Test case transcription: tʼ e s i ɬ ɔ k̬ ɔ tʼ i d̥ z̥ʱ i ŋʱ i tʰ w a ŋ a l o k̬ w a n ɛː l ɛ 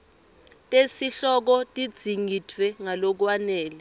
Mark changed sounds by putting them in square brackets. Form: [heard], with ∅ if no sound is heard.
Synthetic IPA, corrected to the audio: tʼ e s i ɬ ɔ k̬ ɔ tʼ i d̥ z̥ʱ i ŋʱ i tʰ w [ɛ] ŋ a l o k̬ w a n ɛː l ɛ

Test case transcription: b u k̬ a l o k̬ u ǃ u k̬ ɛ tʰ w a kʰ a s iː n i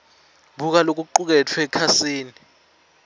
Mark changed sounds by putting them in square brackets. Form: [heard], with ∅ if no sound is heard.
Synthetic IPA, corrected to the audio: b u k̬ a l o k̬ u ǃ u k̬ ɛ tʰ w [ɛ] kʰ a s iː n i

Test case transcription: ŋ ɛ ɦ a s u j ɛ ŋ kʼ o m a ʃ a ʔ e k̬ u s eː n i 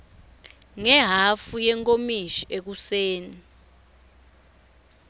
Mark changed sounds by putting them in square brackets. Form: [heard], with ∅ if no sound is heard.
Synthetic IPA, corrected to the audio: ŋ ɛ ɦ a [f] u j ɛ ŋ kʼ o m [i] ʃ [i] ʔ e k̬ u s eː n i

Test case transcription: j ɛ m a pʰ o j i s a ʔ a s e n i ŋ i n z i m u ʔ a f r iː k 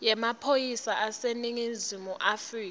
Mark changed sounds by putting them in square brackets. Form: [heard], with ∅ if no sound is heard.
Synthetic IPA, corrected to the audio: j ɛ m a pʰ o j i s a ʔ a s e n i ŋ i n z i m u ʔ a f r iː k

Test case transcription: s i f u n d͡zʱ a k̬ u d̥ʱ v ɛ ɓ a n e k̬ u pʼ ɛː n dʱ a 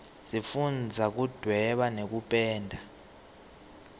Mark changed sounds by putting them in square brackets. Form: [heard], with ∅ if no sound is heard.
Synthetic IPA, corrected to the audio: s i f u n d͡zʱ a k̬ u d̥ʱ [w] ɛ ɓ a n e k̬ u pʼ ɛː n dʱ a

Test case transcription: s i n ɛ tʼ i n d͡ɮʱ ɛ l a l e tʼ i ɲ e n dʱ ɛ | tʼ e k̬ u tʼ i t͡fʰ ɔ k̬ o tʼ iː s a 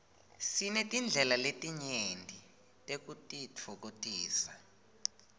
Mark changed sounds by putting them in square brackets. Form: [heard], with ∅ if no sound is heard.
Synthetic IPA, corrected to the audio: s i n ɛ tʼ i n d͡ɮʱ ɛ l a l e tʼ i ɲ e n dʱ [i] | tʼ e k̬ u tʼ i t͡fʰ ɔ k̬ o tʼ iː s a

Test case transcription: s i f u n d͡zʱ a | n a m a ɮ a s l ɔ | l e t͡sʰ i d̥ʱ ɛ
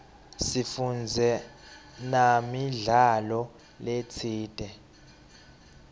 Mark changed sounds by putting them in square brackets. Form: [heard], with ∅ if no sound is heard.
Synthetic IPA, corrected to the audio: s i f u n d͡zʱ [ɛ] | n a m [i] ɮ a [∅] l ɔ | l e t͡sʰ [iː] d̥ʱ ɛ

